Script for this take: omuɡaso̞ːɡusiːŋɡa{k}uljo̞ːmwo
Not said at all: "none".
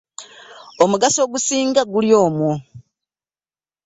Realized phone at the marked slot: ɡ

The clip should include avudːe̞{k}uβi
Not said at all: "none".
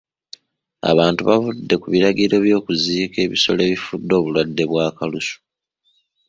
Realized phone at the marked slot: k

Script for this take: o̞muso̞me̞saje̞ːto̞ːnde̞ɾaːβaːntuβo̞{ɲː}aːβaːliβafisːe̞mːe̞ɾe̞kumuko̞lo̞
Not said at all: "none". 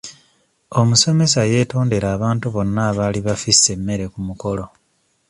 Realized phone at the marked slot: nː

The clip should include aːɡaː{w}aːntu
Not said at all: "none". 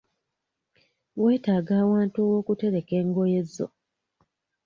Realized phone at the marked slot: w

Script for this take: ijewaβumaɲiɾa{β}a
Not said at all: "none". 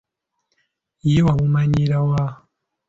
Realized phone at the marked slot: w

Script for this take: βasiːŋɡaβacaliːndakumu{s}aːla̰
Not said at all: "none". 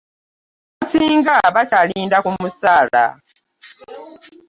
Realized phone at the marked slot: s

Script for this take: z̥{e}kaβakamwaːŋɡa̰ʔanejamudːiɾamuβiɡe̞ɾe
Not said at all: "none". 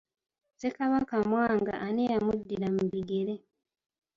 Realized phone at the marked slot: e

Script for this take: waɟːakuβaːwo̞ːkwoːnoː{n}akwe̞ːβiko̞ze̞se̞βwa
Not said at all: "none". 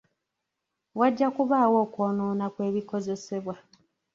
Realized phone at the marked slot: n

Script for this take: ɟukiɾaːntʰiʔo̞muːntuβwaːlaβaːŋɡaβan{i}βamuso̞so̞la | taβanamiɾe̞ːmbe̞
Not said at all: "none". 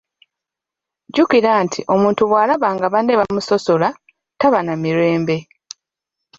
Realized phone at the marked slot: e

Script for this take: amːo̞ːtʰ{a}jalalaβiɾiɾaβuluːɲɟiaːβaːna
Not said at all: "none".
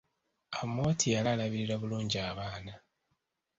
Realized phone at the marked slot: i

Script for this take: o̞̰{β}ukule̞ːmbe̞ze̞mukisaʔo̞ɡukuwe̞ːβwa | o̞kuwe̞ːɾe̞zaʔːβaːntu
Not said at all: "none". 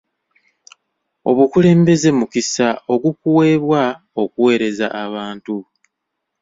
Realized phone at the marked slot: β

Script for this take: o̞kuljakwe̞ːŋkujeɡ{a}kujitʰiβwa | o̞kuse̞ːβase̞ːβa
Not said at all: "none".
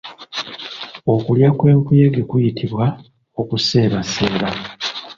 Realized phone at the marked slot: e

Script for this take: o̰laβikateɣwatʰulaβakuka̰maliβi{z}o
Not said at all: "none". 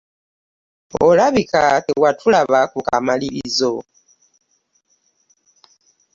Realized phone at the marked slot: z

